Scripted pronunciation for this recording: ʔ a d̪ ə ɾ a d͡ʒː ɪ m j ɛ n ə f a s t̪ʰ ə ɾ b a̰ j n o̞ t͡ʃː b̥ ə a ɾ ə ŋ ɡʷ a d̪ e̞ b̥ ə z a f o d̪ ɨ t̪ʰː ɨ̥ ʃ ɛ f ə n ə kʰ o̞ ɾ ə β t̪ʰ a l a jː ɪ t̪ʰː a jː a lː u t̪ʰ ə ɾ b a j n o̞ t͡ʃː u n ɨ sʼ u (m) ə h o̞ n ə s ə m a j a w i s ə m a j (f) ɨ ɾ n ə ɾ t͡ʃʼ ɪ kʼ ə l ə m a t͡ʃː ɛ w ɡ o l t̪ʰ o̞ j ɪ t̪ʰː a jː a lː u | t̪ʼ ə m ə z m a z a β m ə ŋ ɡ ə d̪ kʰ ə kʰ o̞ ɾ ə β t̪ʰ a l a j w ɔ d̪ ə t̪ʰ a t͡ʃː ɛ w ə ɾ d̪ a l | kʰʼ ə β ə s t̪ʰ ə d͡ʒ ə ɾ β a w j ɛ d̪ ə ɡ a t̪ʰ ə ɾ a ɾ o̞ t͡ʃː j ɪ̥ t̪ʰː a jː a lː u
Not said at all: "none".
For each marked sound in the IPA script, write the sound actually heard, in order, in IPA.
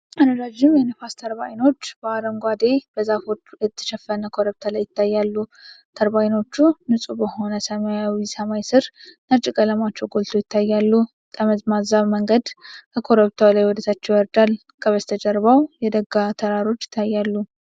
b, s

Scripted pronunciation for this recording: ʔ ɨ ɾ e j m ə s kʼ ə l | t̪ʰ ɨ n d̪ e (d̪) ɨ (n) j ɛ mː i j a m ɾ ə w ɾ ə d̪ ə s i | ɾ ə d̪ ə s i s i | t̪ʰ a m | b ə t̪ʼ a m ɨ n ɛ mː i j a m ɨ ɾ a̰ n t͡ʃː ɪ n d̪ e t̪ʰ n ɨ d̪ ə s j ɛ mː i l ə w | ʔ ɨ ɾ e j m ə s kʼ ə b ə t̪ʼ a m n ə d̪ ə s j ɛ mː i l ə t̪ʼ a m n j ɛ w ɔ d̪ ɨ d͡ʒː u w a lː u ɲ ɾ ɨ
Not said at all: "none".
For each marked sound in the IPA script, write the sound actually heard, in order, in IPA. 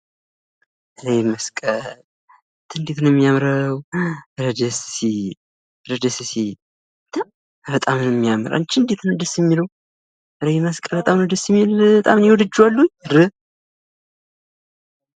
t̪, n

